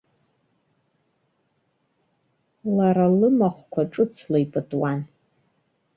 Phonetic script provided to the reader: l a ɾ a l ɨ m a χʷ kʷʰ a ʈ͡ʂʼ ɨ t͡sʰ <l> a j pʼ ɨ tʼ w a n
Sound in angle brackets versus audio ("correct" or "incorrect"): correct